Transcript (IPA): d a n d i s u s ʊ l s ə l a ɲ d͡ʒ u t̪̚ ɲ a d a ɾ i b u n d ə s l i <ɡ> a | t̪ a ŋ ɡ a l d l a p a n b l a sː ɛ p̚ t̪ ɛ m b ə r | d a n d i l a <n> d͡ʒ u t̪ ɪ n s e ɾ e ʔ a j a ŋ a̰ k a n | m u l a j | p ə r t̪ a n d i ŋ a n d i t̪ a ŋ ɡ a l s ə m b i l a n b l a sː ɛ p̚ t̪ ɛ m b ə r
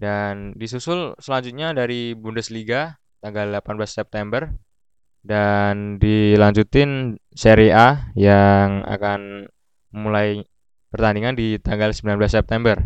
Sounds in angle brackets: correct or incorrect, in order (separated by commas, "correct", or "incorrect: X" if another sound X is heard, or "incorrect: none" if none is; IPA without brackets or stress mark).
correct, incorrect: ɲ